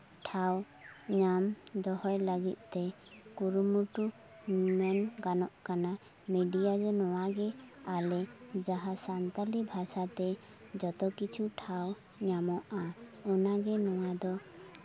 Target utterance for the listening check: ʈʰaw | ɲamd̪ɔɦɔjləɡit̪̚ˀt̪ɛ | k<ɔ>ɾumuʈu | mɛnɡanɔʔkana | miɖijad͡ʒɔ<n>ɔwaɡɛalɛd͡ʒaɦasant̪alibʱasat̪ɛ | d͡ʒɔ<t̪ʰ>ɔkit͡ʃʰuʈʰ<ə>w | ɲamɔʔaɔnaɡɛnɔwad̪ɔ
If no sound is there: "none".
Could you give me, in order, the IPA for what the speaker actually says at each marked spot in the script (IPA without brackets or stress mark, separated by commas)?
u, n, t̪, a